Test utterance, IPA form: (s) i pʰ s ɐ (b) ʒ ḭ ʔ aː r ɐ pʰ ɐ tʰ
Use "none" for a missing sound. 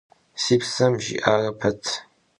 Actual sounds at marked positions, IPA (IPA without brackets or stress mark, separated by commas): s, m